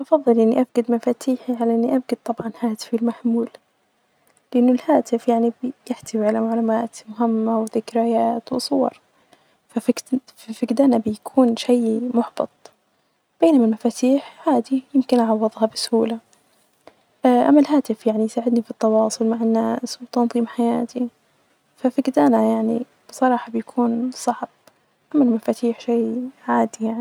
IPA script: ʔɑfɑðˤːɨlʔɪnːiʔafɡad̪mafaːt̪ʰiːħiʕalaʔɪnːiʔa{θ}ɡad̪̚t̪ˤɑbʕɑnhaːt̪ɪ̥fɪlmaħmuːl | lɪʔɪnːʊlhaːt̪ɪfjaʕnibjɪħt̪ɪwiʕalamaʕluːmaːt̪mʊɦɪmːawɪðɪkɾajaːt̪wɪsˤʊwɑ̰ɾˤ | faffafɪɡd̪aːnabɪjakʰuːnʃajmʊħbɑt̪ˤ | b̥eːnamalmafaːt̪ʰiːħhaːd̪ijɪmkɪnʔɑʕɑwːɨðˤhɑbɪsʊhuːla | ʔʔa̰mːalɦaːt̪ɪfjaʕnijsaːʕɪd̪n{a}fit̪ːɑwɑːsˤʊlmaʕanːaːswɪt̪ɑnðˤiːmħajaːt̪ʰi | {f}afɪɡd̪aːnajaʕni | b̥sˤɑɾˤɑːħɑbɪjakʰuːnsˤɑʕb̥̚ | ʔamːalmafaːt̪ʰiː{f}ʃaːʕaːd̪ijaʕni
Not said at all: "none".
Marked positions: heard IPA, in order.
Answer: f, i, f, ħ

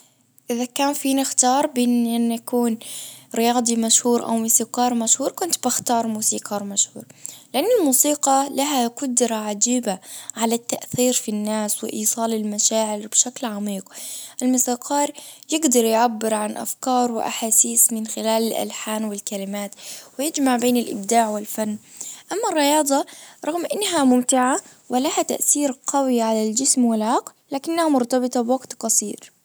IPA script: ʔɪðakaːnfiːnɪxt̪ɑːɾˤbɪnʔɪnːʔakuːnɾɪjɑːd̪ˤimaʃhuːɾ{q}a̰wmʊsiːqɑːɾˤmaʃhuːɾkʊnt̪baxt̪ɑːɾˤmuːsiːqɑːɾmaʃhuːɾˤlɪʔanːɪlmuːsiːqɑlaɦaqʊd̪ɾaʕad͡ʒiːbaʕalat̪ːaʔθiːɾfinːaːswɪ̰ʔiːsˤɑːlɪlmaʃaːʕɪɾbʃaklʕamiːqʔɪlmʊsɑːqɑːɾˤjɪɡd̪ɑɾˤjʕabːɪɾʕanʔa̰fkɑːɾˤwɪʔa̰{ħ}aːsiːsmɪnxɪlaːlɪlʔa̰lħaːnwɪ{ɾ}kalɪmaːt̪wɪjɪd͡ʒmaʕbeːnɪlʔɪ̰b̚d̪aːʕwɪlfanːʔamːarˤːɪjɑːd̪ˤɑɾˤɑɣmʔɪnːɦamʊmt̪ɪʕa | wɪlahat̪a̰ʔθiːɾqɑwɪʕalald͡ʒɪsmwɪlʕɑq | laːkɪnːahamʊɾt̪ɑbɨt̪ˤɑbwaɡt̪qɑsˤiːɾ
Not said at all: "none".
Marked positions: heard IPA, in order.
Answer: ʔ, ħ, l

